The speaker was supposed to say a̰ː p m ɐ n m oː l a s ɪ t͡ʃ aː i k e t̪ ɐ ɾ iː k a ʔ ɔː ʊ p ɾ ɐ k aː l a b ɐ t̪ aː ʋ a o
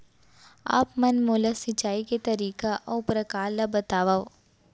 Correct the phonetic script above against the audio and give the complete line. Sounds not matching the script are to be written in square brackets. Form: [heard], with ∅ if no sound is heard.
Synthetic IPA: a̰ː p m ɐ n m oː l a s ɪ t͡ʃ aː i k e t̪ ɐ ɾ iː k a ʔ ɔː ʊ p ɾ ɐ k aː l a b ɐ t̪ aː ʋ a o